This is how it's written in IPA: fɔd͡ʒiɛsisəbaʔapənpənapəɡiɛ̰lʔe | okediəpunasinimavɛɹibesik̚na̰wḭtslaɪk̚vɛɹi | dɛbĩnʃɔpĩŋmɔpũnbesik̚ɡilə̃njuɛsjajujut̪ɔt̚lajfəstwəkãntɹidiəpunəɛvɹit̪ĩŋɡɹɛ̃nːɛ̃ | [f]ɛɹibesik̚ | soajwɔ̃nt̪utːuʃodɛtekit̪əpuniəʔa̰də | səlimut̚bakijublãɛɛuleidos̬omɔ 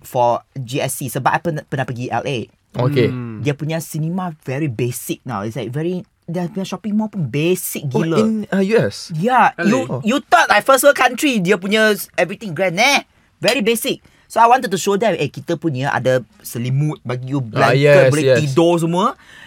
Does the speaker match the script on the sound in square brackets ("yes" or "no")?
no